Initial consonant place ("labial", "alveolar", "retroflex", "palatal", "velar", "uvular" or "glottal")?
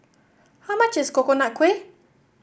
glottal